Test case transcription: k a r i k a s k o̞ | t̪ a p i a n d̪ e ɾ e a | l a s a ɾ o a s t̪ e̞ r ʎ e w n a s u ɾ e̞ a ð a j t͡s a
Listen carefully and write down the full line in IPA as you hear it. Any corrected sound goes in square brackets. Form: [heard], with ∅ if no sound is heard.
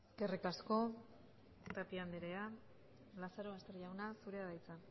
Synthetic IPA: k [e] r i k a s k o̞ | t̪ a p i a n d̪ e ɾ e a | l a s a ɾ o a s t̪ e̞ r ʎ [a] w n a s u ɾ e̞ a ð a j t͡s a